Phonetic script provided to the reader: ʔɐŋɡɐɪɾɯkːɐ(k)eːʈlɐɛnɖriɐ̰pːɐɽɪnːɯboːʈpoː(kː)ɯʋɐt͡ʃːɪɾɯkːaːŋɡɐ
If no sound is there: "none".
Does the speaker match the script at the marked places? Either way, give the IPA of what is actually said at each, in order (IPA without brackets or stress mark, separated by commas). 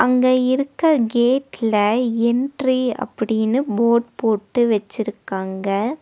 ɡ, ʈː